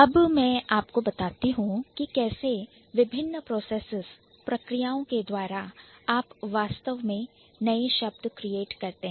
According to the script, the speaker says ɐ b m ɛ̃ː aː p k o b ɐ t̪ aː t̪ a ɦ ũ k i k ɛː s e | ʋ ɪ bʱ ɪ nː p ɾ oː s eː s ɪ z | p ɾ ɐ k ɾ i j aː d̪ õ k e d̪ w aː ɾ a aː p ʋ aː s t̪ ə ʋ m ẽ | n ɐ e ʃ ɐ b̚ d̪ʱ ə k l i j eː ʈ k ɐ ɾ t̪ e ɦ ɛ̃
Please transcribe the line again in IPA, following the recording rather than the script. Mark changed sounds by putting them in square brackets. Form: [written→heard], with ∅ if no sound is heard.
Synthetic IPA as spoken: ɐ b m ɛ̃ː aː p k o b ɐ t̪ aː t̪ [a→i] ɦ ũ k i k ɛː s e | ʋ ɪ bʱ ɪ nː p ɾ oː s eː s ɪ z | p ɾ ɐ k ɾ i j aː [d̪→∅] õ k e d̪ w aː ɾ a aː p ʋ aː s t̪ ə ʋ m ẽ | n ɐ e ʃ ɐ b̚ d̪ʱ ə k [l→ɾ] i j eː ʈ k ɐ ɾ t̪ e ɦ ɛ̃